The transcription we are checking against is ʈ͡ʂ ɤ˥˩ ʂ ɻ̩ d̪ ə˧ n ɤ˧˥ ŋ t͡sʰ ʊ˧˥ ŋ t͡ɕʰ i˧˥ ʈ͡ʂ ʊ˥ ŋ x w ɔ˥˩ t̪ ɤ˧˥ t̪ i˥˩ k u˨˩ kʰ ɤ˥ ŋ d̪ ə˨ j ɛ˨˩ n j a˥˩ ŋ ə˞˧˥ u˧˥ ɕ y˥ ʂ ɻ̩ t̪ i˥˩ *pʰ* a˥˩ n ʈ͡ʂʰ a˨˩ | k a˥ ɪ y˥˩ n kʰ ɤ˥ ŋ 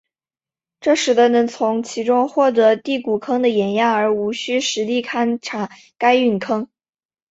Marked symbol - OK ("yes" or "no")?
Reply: no